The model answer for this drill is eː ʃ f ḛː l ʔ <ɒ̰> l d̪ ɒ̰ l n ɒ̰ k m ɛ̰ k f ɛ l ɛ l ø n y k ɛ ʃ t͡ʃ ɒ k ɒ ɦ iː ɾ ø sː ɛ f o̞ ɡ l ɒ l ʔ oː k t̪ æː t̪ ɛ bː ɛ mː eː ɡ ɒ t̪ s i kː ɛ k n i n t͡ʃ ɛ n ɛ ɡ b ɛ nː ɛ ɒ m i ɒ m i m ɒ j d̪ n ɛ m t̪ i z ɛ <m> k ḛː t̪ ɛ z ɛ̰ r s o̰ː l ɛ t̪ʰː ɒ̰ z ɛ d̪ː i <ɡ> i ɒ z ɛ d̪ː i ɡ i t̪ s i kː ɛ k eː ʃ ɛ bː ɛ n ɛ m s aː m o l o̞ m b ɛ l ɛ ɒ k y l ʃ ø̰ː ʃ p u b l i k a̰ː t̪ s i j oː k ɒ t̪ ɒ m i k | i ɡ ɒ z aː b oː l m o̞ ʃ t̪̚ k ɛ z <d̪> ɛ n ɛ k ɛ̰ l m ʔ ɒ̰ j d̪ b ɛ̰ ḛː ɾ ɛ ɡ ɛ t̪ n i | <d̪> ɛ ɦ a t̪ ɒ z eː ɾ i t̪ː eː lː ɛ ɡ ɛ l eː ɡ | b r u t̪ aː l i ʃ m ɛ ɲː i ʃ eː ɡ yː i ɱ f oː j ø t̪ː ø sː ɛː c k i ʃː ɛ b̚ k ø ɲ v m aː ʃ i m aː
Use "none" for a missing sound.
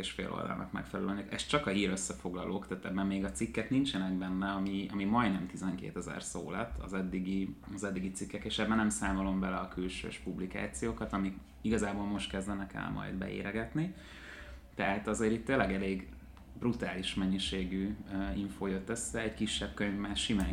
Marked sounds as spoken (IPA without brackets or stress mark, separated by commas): o̰, ŋ, ɡ, d̪, t̪